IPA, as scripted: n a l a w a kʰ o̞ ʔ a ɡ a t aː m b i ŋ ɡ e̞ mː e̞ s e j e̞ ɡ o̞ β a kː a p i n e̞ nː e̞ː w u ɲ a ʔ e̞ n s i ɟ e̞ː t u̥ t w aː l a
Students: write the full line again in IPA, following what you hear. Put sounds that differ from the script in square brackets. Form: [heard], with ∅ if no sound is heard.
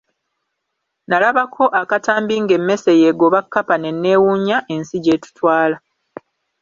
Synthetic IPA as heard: n a l a [β] a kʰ o̞ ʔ a [k] a t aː m b i ŋ ɡ e̞ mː e̞ s e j e̞ ɡ o̞ β a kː a p [a] n e̞ nː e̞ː w u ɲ a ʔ e̞ n s i ɟ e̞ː t u̥ t w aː l a